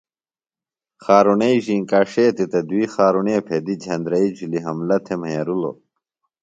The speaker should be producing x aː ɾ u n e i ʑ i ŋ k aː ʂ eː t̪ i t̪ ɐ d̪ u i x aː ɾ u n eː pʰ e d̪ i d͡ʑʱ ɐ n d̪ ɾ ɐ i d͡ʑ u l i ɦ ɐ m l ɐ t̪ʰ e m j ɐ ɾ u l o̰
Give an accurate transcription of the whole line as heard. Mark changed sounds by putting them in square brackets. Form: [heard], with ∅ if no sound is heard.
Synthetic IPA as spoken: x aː ɾ u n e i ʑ i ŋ k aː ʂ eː t̪ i t̪ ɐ d̪ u i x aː ɾ u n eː pʰ e d̪ i d͡ʑʱ ɐ n d̪ ɾ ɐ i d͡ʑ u l i ɦ ɐ m l ɐ t̪ʰ e m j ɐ ɾ u l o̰